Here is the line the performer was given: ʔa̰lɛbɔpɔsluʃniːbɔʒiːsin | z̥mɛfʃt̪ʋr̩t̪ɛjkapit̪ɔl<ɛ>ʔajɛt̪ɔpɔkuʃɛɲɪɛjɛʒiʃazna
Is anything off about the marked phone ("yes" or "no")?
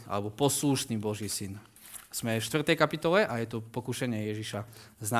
no